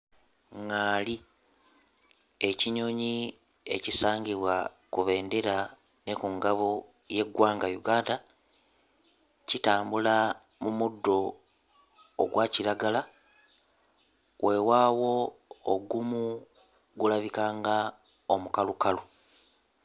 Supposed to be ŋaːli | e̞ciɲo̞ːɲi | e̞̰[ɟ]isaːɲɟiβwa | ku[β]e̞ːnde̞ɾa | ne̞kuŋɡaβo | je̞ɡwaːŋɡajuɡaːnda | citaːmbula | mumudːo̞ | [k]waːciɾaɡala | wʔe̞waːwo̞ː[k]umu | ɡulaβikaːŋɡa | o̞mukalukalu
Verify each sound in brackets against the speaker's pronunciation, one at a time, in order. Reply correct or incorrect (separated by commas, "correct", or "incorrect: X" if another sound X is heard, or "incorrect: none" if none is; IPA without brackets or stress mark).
incorrect: c, correct, incorrect: ɡ, incorrect: ɡ